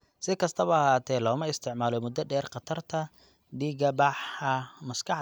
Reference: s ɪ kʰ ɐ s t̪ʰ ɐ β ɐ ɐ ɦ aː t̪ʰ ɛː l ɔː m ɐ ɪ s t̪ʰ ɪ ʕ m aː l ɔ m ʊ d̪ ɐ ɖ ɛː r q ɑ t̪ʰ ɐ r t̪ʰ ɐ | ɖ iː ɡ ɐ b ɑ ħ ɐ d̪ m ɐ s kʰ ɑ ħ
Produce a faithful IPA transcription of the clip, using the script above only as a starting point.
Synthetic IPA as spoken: s ɪ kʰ ɐ s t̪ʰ ɐ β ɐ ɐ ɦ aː t̪ʰ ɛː l ɔː m ɐ ɪ s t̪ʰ ɪ ʕ m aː l ɔ m ʊ d̪ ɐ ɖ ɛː r q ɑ t̪ʰ ɐ r t̪ʰ ɐ | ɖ iː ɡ ɐ b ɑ ħ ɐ m ɐ s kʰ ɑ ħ